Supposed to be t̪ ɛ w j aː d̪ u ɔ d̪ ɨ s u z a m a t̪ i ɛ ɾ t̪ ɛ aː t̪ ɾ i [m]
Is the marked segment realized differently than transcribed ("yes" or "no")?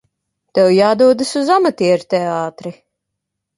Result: yes